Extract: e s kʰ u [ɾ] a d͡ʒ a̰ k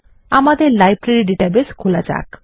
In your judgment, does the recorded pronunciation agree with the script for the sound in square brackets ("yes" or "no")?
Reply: no